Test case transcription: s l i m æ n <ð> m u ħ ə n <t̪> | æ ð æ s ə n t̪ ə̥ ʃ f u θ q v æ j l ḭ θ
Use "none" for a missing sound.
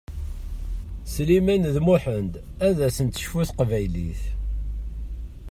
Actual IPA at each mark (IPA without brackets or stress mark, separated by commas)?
ð, d̪